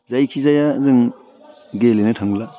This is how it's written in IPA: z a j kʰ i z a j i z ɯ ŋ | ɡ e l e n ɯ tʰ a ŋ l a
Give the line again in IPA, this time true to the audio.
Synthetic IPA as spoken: z a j kʰ i z a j a z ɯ ŋ | ɡ e l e n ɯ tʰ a ŋ l a